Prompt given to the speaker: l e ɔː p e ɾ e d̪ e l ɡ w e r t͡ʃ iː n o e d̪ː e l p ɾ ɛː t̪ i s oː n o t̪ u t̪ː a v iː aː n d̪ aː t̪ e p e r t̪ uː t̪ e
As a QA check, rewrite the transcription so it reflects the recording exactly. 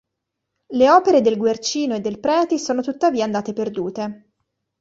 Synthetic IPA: l e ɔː p e ɾ e d̪ e l ɡ w e r t͡ʃ iː n o e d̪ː e l p ɾ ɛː t̪ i s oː n o t̪ u t̪ː a v iː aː n d̪ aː t̪ e p e r d̪ uː t̪ e